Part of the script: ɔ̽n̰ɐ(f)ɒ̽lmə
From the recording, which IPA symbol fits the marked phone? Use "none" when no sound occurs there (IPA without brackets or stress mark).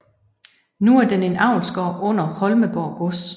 h